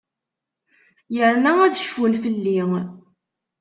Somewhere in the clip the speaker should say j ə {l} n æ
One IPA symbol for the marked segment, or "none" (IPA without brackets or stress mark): ɾ